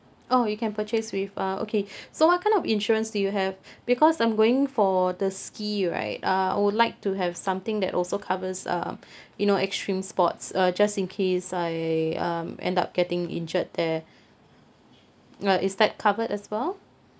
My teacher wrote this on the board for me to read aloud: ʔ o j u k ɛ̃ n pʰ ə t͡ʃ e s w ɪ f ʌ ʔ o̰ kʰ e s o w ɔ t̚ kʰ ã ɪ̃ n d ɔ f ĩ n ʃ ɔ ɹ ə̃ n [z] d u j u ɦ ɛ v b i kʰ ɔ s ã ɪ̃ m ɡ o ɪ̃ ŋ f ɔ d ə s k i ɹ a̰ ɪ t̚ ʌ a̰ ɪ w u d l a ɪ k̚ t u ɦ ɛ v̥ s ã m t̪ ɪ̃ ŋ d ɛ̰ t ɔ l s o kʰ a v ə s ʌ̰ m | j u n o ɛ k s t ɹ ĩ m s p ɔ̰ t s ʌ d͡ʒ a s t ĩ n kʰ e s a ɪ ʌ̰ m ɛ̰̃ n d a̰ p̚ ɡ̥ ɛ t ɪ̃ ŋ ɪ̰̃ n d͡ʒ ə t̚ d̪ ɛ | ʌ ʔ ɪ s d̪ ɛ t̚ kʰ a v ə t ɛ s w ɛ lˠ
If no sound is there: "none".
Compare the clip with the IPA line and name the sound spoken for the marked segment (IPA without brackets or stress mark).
s